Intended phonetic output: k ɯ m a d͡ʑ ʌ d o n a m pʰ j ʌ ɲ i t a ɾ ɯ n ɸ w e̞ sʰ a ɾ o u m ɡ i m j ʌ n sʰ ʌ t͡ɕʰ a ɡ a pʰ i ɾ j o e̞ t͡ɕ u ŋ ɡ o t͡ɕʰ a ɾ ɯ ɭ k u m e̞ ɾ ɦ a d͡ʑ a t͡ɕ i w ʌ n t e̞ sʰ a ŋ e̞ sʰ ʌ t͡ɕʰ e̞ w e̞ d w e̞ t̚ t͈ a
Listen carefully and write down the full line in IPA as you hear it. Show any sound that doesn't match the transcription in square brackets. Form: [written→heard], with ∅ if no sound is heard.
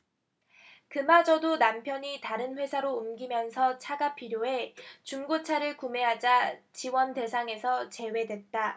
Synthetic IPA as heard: k ɯ m a d͡ʑ ʌ d o n a m pʰ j ʌ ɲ i t a ɾ ɯ n ɸ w e̞ sʰ a ɾ o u m ɡ i m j ʌ n sʰ ʌ t͡ɕʰ a ɡ a pʰ i ɾ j o e̞ t͡ɕ u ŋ ɡ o t͡ɕʰ a ɾ ɯ ɭ k u m e̞ [ɾ→∅] ɦ a d͡ʑ a t͡ɕ i w ʌ n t e̞ sʰ a ŋ e̞ sʰ ʌ [t͡ɕʰ→t͡ɕ] e̞ w e̞ d w e̞ t̚ t͈ a